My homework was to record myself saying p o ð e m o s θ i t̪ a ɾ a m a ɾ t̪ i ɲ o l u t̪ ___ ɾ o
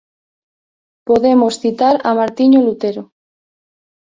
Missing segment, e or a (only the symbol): e